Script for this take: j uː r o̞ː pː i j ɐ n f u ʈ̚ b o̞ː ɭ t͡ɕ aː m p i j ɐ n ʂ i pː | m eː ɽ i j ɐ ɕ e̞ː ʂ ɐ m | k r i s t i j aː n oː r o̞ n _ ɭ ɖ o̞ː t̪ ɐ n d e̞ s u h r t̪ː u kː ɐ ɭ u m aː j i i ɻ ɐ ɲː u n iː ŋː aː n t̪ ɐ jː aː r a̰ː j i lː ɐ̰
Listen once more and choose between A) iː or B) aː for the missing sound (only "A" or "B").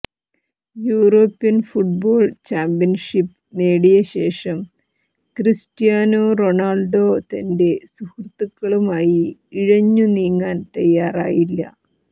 B